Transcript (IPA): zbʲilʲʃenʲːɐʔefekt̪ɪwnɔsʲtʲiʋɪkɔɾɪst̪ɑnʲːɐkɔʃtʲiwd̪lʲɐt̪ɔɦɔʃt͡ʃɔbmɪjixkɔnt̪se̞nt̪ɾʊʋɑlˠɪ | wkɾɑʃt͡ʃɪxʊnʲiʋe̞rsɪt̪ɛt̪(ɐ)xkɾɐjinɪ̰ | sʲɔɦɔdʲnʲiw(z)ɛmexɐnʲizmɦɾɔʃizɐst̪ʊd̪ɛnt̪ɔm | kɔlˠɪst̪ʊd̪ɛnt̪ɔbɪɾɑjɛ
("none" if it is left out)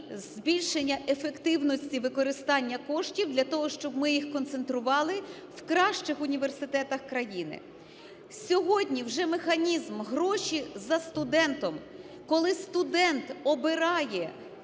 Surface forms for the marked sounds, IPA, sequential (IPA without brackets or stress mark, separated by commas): ɐ, ʒ